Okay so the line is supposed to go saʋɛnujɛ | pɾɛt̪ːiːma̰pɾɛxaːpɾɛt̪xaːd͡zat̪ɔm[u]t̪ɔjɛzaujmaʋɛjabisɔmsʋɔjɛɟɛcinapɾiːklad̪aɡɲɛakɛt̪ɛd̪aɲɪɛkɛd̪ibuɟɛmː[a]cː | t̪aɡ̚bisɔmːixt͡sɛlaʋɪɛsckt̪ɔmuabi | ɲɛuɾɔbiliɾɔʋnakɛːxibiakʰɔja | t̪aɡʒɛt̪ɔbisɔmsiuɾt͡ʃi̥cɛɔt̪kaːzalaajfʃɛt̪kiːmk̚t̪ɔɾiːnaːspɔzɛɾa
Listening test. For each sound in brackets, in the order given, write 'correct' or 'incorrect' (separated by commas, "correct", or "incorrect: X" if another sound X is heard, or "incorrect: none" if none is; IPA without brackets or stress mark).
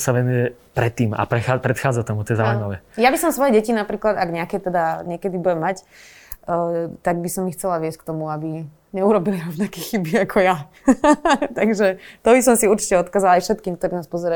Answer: correct, correct